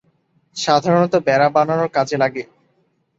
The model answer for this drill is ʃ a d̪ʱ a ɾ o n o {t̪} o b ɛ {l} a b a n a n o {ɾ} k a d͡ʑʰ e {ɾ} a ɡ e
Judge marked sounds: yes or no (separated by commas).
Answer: yes, no, yes, no